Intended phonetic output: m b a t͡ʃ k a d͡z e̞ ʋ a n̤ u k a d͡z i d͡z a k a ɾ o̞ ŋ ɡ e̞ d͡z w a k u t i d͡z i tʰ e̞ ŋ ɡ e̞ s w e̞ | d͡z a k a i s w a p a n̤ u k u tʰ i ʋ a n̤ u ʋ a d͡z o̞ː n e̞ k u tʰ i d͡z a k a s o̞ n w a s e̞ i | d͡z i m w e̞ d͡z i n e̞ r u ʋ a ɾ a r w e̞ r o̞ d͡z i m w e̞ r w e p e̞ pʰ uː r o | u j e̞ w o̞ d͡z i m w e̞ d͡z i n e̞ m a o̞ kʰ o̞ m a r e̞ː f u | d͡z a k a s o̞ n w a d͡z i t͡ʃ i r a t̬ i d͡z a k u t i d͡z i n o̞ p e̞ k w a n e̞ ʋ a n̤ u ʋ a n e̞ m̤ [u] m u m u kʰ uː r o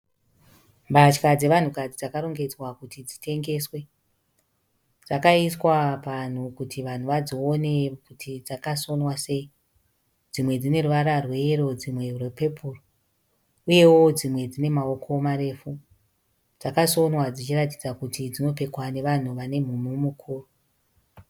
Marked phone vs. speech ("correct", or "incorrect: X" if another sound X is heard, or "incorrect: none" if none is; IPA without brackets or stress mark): correct